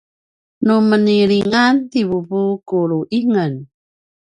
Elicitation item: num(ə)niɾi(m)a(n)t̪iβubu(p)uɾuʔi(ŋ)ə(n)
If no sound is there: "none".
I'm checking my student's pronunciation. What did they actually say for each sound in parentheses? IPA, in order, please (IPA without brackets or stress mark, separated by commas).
ə, ŋ, n, k, ŋ, n